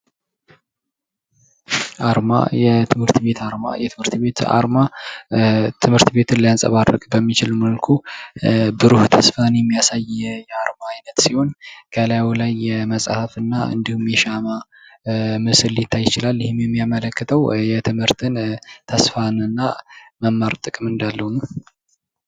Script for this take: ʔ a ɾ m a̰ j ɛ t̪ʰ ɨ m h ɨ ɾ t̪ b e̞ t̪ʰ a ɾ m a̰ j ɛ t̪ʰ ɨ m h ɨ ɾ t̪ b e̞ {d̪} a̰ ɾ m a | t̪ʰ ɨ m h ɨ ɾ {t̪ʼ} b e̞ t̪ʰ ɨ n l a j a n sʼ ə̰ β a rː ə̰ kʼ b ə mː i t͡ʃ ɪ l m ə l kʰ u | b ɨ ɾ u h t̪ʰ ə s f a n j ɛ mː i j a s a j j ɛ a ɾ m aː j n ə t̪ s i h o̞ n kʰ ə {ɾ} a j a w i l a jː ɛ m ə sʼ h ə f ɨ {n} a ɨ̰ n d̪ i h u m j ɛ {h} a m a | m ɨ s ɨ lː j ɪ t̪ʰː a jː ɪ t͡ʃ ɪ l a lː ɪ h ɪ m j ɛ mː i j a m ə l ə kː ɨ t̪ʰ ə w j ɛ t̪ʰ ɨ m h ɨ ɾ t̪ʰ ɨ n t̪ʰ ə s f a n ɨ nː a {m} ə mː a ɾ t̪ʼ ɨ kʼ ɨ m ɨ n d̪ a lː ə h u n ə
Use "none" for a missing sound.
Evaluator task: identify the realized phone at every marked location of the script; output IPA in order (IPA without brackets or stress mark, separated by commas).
t̪, t̪, l, nː, ʃ, m